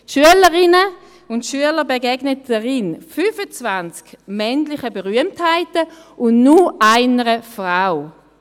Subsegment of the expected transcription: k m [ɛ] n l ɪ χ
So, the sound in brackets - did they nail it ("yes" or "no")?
yes